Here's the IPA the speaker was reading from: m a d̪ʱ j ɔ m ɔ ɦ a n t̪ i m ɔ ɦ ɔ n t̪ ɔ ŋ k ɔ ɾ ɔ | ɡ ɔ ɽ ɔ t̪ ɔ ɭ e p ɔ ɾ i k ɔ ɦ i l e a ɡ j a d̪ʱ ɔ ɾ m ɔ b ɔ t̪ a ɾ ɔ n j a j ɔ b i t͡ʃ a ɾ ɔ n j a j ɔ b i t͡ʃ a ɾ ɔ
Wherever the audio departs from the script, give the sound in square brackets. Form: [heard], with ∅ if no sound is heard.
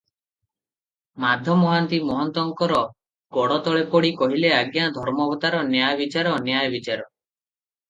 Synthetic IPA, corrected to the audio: m a d̪ʱ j ɔ m ɔ ɦ a n t̪ i m ɔ ɦ ɔ n t̪ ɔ ŋ k ɔ ɾ ɔ | ɡ ɔ ɽ ɔ t̪ ɔ ɭ e p ɔ [ɽ] i k ɔ ɦ i l e a ɡ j a d̪ʱ ɔ ɾ m ɔ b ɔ t̪ a ɾ ɔ n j a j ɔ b i t͡ʃ a ɾ ɔ n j a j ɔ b i t͡ʃ a ɾ ɔ